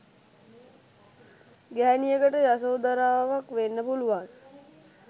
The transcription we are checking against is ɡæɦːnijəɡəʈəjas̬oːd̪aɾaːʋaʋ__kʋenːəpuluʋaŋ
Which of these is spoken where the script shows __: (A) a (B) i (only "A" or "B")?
A